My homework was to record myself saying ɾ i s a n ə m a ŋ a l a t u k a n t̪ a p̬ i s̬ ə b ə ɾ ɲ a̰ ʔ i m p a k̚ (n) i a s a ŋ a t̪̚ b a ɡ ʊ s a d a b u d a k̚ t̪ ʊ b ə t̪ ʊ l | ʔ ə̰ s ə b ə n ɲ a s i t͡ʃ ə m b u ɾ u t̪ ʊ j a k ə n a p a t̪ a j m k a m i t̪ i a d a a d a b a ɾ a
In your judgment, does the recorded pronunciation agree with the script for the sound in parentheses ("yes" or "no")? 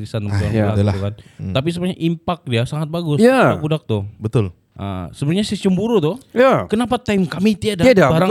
no